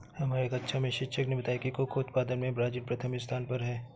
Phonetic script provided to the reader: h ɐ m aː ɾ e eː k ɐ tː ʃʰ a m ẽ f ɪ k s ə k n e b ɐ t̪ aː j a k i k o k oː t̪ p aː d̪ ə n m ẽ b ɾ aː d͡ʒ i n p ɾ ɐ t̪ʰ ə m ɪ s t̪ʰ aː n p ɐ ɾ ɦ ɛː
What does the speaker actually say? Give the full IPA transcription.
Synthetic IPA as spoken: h ɐ m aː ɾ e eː k ɐ tː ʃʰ a m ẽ ʃ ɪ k ʃ ə k n e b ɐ t̪ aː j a k i k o k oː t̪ p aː d̪ ə n m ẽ b ɾ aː d͡ʒ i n p ɾ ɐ t̪ʰ ə m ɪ s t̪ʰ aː n p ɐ ɾ ɦ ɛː

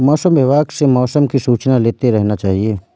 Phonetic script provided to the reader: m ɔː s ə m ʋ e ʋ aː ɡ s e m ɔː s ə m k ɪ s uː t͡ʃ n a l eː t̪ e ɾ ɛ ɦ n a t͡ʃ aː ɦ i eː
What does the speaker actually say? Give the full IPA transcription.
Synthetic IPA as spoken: m ɔː s ə m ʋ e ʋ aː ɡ s e m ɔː s ə m k i s uː t͡ʃ n a l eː t̪ e ɾ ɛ ɦ n a t͡ʃ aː ɦ i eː

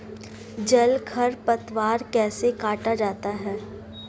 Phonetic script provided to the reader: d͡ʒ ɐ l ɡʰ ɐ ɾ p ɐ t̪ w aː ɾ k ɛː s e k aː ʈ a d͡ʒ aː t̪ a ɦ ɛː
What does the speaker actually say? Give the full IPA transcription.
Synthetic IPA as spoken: d͡ʒ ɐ l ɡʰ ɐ ɾ p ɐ t̪ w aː ɾ k ɛː s e k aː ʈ a d͡ʒ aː t̪ a ɦ ɛː

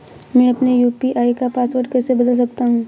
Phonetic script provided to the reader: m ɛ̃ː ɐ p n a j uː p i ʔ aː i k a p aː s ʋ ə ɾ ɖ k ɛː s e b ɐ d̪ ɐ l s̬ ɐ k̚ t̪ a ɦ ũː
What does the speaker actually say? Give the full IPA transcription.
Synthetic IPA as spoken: m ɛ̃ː ɐ p n e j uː p i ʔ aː i k a p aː s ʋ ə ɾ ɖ k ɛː s e b ɐ d̪ ə l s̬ ɐ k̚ t̪ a ɦ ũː

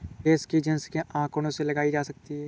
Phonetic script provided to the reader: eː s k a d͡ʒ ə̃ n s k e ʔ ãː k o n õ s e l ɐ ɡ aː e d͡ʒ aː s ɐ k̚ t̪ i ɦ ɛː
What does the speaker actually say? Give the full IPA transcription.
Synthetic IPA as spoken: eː s k i d͡ʒ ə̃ n s k e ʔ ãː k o n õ s e l ɐ ɡ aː i d͡ʒ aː s ɐ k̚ t̪ i ɦ ɛː

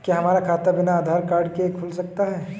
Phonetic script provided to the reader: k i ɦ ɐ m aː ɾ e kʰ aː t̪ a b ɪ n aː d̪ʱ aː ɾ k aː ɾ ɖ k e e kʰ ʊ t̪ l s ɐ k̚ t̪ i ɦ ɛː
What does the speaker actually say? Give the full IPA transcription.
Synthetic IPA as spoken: k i ɦ ɐ m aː ɾ a kʰ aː t̪ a b ɪ n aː d̪ʱ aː ɾ k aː ɾ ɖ k e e kʰ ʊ l s ɐ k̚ t̪ a ɦ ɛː

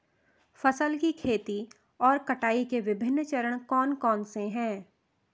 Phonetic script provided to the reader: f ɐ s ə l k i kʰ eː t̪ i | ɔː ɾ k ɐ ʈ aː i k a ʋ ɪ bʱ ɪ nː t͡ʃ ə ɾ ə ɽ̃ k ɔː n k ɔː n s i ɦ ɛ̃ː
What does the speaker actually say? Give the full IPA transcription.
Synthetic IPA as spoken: f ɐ s ə l k i kʰ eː t̪ i | ɔː ɾ k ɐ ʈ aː i k e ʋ ɪ bʱ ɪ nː t͡ʃ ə ɾ ə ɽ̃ k ɔː n k ɔː n s e ɦ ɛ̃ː

